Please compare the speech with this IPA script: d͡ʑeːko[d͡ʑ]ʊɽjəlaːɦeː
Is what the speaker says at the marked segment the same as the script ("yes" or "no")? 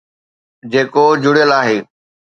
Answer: yes